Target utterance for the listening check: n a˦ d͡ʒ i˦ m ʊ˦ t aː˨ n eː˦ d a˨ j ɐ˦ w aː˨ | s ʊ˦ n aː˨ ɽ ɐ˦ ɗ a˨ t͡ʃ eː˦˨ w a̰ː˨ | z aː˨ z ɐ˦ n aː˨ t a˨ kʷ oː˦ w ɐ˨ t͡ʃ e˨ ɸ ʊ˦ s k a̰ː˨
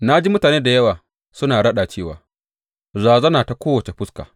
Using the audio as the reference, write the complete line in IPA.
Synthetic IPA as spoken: n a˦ d͡ʒ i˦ m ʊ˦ t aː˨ n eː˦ d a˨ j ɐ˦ w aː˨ | s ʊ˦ n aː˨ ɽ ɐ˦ ɗ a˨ t͡ʃ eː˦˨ w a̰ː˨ | z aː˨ z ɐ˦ n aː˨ t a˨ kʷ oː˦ w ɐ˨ t͡ʃ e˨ ɸ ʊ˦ s k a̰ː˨

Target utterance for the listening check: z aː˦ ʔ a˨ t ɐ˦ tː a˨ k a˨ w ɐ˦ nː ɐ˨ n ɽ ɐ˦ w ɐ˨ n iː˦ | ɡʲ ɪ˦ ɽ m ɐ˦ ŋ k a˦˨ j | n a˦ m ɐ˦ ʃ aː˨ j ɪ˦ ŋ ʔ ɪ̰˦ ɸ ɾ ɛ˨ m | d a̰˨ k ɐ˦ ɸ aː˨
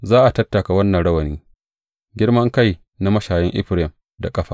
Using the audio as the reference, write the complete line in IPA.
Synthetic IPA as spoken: z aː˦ ʔ a˨ t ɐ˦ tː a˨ k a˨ w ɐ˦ nː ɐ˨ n ɽ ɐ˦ w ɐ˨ n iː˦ | ɡʲ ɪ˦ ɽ m ɐ˦ ŋ k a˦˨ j | n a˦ m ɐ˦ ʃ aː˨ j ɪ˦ ŋ ʔ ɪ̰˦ ɸ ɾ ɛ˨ m | d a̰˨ kʼ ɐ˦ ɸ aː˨

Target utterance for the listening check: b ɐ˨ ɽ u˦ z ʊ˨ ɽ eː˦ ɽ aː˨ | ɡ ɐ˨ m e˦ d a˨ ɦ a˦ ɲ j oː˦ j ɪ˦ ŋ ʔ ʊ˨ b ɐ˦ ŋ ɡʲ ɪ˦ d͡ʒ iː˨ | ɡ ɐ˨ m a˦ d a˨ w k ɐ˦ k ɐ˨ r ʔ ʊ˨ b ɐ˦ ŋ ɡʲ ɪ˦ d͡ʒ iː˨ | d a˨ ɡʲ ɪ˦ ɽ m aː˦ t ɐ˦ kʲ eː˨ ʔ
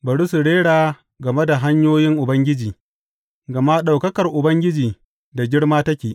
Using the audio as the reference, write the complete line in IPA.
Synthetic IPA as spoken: b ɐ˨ ɽ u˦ s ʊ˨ ɽ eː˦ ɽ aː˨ | ɡ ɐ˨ m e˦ d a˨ ɦ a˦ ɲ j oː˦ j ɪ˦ ŋ ʔ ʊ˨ b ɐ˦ ŋ ɡʲ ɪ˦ d͡ʒ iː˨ | ɡ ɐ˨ m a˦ ɗ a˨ w k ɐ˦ k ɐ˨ r ʔ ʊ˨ b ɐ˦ ŋ ɡʲ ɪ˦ d͡ʒ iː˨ | d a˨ ɡʲ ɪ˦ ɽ m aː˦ t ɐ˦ kʲ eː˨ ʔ

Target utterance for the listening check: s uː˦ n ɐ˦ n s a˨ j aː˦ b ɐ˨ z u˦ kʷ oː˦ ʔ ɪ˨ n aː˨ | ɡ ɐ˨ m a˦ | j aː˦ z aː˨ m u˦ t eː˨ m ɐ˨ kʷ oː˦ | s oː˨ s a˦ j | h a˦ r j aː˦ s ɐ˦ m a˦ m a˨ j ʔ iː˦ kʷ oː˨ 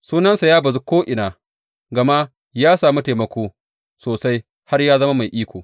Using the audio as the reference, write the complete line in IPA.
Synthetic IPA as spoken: s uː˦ n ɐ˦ n s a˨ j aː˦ b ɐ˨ z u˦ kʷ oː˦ ʔ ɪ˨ n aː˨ | ɡ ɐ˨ m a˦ | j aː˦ s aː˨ m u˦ t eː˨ m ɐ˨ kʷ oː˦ | s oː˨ s a˦ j | h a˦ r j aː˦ z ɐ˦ m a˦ m a˨ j ʔ iː˦ kʷ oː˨

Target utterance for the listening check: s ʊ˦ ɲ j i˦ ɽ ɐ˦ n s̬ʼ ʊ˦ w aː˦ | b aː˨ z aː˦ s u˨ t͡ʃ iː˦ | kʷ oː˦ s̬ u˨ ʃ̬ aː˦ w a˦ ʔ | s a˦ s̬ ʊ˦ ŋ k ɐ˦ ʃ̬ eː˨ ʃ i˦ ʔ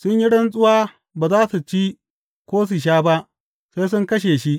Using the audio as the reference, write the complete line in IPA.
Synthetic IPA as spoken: s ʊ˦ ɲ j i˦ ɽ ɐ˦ n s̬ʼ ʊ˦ w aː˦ | b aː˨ z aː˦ s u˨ t͡ʃ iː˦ | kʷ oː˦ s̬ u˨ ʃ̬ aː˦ b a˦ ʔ | s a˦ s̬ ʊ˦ ŋ k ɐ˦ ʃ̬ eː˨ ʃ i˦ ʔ

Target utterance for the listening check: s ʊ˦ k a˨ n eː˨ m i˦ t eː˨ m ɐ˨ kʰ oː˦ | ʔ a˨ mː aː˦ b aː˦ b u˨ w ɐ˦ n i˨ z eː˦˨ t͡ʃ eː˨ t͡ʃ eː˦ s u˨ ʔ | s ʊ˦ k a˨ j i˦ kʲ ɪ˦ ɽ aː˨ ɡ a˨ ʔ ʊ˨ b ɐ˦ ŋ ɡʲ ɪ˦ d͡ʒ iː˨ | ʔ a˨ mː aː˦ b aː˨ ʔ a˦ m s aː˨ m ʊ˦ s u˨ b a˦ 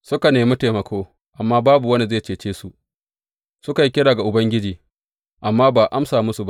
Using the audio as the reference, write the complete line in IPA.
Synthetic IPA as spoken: s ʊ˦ k a˨ n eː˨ m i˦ t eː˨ m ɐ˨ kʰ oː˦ | ʔ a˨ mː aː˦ b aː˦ b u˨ w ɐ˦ n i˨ z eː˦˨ t͡ʃ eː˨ t͡ʃ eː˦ s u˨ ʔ | s ʊ˦ k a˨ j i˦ kʲ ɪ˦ ɽ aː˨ ɡ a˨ ʔ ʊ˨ b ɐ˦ ŋ ɡʲ ɪ˦ d͡ʒ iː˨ | ʔ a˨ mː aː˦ b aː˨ ʔ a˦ m s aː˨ m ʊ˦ s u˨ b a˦

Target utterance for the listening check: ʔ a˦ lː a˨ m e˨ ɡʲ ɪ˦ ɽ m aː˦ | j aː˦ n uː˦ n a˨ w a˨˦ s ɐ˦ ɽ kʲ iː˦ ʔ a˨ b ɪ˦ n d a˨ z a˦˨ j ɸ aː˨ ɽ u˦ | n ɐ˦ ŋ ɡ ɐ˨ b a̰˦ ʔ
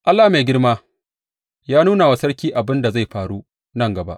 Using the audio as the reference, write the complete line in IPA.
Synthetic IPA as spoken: ʔ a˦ lː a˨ m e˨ ɡʲ ɪ˦ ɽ m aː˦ | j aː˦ n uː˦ n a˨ w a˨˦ s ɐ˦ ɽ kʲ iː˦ ʔ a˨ b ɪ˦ n d a˨ z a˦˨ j ɸ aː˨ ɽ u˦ | n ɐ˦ ŋ ɡ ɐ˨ b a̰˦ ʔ

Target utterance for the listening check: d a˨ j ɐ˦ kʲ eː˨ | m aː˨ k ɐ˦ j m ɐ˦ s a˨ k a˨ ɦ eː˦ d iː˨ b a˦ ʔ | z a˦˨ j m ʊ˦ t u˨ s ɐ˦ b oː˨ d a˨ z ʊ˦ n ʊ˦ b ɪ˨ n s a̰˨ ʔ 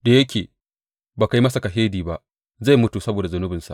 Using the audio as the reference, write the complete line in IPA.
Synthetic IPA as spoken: d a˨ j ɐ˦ kʲ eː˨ | b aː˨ k a˦ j m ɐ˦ s a˨ k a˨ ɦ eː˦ d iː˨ b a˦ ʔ | z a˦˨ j m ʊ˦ t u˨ s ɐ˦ b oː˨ d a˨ z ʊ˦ n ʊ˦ b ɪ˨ n s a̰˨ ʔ

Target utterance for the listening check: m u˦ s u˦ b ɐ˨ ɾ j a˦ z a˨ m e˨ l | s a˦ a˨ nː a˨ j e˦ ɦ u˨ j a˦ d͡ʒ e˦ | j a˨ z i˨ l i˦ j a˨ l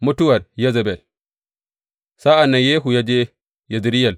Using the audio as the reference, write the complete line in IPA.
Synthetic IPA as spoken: m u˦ t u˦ w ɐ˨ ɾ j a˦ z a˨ b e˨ l | s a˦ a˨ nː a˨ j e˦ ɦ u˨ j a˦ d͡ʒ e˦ | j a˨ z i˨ ɾ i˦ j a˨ l

